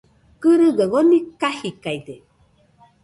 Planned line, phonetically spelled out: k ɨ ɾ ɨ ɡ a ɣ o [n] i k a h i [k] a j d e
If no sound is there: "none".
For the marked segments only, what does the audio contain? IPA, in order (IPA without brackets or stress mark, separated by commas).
n, k